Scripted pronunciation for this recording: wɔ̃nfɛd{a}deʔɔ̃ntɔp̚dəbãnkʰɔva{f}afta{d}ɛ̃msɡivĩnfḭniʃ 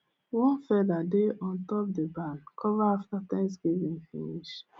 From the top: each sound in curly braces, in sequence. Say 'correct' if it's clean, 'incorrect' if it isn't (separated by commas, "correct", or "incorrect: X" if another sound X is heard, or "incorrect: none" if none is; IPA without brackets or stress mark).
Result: correct, incorrect: none, incorrect: t